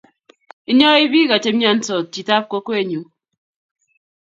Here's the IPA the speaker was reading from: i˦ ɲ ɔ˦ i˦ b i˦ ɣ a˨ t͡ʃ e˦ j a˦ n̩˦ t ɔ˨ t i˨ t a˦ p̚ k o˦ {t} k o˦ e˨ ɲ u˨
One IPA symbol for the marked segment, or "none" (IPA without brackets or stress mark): none